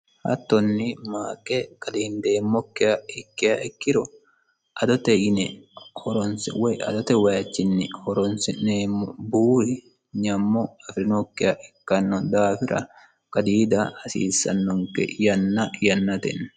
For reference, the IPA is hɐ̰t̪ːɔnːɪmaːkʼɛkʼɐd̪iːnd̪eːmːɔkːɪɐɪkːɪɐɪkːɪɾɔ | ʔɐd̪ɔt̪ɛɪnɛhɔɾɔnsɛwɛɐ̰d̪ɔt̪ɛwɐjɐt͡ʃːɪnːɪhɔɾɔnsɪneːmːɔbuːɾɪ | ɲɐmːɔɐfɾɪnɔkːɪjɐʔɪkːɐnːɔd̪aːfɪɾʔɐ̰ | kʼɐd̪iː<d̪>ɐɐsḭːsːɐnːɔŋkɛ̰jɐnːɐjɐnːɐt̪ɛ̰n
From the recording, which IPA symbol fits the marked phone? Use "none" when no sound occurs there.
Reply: d̪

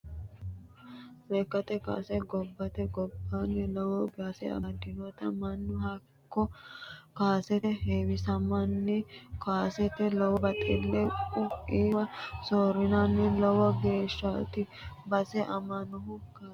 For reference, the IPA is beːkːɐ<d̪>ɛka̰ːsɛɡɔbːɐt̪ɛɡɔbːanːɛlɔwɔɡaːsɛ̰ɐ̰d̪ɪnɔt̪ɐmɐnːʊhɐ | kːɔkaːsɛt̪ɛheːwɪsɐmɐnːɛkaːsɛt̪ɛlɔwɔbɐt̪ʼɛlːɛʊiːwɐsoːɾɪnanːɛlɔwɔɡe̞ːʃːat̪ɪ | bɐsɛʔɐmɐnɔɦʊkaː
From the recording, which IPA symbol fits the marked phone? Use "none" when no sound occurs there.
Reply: t̪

